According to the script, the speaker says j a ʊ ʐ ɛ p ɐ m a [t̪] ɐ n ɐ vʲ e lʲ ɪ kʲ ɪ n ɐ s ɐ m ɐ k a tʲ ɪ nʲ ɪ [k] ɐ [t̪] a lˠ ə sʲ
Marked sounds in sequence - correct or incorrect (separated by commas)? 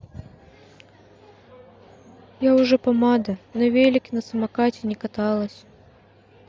incorrect, correct, correct